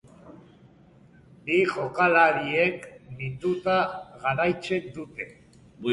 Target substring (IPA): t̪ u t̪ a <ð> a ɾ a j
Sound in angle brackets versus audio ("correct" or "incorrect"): incorrect